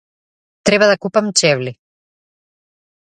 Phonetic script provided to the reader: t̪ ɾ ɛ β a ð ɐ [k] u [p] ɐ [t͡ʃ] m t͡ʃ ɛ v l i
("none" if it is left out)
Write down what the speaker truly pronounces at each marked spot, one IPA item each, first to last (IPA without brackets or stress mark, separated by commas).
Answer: k, p, none